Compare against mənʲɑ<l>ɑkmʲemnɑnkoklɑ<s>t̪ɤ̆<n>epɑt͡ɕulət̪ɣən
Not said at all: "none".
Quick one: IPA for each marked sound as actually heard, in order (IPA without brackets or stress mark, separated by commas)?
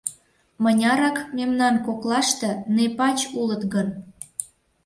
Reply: ɾ, ʃ, n